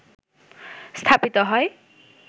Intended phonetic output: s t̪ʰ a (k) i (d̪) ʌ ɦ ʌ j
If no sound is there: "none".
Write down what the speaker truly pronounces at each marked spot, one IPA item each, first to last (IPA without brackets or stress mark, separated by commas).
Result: p, t̪